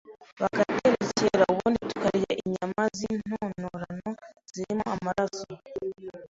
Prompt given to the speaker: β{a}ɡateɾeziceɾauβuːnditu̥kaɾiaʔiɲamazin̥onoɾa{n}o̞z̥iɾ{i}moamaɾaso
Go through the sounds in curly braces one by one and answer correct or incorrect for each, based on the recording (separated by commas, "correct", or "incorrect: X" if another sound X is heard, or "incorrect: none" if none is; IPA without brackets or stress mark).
correct, correct, correct